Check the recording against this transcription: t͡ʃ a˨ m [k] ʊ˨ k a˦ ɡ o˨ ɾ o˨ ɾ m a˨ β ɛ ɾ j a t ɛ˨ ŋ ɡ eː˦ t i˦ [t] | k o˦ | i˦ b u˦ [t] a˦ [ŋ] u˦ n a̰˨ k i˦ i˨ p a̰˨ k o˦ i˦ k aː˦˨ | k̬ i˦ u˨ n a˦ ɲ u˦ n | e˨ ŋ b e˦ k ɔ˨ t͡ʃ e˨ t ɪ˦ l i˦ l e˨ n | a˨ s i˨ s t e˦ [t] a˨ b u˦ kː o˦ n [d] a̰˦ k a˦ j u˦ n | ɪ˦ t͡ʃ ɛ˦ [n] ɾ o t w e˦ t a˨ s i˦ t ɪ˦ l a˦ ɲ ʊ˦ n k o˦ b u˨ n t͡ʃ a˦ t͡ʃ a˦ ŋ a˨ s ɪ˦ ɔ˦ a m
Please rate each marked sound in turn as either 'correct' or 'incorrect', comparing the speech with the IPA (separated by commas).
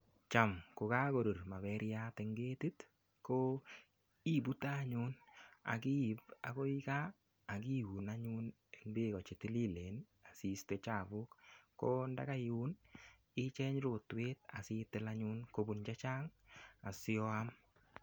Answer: correct, correct, correct, incorrect, incorrect, correct, incorrect